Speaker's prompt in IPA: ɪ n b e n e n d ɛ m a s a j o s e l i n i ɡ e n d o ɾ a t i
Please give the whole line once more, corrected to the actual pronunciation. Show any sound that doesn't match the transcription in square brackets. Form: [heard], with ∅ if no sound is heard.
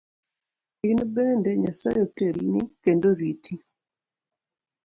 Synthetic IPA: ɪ n b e n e n d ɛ [ɲ] a s a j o [t] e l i n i [k] e n d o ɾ [i] t i